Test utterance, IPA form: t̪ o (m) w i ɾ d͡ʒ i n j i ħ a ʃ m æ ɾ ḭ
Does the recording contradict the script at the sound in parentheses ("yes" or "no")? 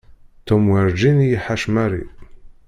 no